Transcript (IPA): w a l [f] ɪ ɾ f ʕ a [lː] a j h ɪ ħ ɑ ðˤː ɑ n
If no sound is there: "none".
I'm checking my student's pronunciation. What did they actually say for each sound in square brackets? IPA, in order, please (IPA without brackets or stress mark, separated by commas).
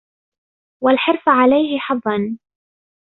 ħ, l